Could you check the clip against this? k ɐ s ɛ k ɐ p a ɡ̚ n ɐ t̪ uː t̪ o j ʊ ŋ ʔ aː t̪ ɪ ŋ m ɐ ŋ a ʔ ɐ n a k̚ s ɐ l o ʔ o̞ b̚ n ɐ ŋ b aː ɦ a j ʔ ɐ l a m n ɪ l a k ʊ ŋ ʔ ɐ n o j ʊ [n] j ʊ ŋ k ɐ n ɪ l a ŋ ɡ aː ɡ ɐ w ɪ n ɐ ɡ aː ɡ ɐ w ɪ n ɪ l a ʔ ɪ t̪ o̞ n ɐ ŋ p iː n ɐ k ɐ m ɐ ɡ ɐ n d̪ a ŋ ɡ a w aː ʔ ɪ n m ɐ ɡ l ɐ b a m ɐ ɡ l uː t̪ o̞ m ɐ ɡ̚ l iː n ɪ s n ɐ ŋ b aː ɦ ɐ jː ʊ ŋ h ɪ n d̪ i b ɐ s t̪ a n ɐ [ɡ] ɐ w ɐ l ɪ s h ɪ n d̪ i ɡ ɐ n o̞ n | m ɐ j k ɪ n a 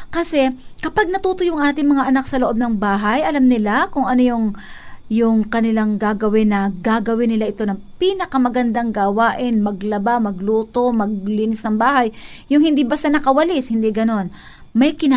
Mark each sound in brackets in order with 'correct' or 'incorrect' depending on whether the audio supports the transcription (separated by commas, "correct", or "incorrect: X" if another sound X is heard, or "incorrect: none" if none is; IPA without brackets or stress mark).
incorrect: ŋ, incorrect: k